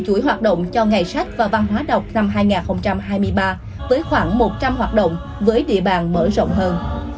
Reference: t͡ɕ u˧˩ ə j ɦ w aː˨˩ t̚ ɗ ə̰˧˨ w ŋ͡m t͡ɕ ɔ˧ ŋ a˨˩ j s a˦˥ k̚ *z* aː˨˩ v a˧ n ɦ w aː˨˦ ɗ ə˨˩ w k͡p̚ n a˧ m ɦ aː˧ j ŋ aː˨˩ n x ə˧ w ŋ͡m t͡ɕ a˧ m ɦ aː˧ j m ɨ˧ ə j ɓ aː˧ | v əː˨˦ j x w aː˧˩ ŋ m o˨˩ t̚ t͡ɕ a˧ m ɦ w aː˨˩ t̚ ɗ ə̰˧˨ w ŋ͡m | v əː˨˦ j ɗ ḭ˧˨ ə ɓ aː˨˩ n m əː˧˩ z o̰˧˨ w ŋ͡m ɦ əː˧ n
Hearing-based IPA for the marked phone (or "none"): v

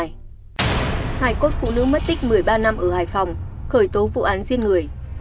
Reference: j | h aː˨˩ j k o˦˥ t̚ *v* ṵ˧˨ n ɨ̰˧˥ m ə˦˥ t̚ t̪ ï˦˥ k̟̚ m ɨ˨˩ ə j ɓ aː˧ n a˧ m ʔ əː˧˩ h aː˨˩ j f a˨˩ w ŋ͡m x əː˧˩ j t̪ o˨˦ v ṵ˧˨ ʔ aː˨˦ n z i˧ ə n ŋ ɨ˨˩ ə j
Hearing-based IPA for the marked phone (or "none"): f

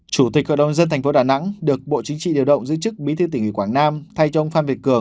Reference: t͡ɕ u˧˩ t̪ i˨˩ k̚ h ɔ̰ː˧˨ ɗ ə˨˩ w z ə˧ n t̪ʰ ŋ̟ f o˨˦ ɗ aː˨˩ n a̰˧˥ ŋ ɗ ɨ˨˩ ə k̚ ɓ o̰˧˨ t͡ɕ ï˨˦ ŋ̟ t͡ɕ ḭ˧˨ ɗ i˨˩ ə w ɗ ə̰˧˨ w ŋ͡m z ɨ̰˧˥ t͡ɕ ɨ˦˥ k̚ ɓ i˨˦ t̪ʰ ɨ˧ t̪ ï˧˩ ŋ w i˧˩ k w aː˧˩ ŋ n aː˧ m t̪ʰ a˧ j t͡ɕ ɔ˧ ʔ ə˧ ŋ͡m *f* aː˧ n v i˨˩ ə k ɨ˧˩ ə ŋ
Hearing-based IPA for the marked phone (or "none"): f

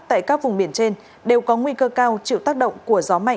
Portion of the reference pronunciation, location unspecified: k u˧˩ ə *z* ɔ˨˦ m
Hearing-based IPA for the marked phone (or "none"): z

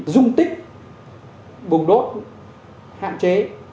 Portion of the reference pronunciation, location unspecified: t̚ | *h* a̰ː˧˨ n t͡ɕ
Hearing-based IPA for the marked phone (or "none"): h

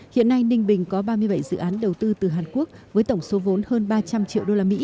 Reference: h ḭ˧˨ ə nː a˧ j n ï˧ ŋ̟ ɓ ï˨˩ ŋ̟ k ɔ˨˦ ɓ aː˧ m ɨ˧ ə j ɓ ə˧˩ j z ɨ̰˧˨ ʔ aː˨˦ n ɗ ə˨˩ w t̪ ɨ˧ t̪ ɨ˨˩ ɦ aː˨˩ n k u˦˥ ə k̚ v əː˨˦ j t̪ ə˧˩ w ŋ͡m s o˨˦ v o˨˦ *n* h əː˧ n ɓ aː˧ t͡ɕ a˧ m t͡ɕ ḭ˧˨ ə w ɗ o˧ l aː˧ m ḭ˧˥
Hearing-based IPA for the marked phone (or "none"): n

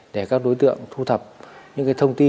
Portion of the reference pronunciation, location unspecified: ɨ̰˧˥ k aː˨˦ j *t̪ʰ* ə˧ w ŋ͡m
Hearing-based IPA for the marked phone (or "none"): t̪ʰ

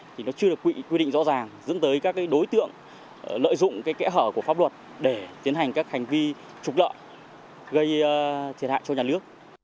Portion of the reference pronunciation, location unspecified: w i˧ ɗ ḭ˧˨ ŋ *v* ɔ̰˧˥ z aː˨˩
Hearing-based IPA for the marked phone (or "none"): z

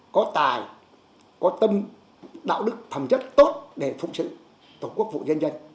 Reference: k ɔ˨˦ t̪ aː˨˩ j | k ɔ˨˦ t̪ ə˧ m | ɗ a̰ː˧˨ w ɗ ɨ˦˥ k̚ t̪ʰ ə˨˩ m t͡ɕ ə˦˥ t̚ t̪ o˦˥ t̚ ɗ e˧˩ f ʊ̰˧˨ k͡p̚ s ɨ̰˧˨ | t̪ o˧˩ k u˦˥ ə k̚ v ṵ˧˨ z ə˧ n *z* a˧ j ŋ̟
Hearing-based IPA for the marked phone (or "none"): z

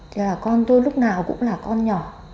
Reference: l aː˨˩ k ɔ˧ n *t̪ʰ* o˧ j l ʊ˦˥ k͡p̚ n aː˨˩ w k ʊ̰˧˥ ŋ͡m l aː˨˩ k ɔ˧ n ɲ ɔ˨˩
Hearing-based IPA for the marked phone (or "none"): t̪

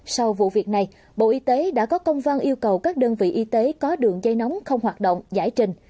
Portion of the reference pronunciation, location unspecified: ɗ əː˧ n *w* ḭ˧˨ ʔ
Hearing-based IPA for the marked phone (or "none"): v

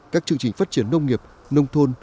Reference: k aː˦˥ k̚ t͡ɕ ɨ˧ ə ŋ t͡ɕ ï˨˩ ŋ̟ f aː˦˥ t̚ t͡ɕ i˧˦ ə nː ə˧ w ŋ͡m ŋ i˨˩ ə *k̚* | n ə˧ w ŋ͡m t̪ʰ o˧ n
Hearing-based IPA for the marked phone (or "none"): p̚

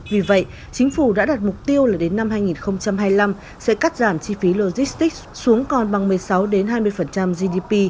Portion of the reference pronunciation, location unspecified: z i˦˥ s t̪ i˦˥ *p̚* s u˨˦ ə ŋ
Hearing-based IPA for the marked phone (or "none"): k̚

